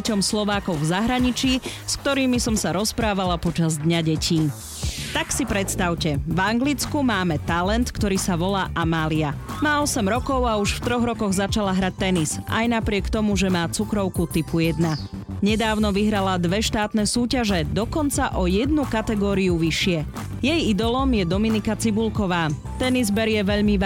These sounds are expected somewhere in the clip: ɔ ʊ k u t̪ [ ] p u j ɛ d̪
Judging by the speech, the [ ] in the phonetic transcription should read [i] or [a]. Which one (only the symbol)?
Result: i